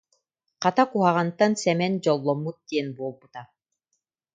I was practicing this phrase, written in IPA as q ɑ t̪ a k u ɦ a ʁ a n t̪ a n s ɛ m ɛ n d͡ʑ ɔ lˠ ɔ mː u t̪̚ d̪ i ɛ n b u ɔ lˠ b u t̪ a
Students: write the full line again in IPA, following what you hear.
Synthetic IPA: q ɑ t̪ a k u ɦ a ʁ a n t̪ a n s ɛ m ɛ n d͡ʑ ɔ lˠː ɔ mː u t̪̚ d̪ i ɛ n b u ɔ lˠ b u t̪ a

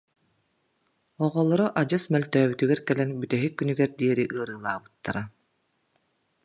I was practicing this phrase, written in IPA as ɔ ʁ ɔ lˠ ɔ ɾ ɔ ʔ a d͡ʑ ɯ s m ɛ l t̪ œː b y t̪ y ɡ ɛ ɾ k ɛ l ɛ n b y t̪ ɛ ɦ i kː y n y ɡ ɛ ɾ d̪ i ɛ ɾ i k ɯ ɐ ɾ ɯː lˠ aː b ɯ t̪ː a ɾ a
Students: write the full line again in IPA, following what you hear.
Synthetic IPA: ɔ ʁ ɔ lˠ ɔ ɾ ɔ ʔ a d͡ʑ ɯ s m ɛ l t̪ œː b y t̪ y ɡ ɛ ɾ k ɛ l ɛ n b y t̪ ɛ ɦ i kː y n y ɡ ɛ ɾ d̪ i ɛ ɾ i ʔ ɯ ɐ ɾ ɯː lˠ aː b ɯ t̪ː a ɾ a

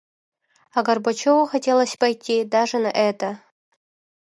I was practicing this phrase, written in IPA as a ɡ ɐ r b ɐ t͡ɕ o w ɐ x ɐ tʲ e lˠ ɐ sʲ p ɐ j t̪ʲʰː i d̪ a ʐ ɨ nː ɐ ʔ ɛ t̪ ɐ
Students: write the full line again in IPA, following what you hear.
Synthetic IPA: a ɡ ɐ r b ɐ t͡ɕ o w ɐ x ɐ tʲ e lˠ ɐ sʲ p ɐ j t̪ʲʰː i d̪ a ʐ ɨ n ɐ ʔ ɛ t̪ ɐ

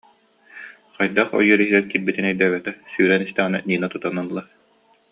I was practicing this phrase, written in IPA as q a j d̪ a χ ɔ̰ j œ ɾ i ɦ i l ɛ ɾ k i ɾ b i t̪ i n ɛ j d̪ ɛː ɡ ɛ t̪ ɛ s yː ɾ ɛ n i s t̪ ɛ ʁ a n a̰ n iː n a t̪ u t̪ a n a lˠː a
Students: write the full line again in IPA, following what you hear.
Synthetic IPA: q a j d̪ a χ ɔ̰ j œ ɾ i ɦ i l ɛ ɾ k i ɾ b i t̪ i n ɛ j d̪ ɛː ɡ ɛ t̪ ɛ s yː ɾ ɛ n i s t̪ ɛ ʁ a n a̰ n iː n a t̪ u t̪ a n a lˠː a

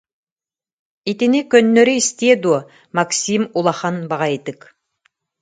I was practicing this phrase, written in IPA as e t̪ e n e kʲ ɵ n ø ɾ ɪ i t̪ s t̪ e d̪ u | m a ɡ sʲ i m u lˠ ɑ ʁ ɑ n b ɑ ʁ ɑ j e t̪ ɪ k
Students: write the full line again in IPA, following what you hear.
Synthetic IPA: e t̪ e n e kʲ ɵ nː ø ɾ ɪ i s t̪ e d̪ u | m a k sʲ i m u lˠ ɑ χ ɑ n b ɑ ʁ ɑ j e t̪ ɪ k

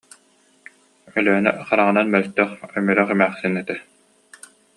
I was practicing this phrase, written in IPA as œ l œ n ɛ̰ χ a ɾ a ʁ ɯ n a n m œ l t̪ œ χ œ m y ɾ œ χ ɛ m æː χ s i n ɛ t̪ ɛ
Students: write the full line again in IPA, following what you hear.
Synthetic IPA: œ l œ n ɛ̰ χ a ɾ a ʁ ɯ n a n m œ l t̪ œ χ œ m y ɾ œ χ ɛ m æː χ s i n ɛ t̪ ɛ

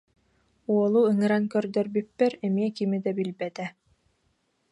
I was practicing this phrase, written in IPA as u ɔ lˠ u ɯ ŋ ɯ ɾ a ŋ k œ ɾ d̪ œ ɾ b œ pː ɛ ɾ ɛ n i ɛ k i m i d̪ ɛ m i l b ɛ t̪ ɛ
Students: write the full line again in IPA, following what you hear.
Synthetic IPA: u ɔ lˠ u ɯ ŋ ɯ ɾ a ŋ k œ ɾ d̪ œ ɾ b y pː ɛ ɾ ɛ m i ɛ k i m i d̪ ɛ b i l b ɛ t̪ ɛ

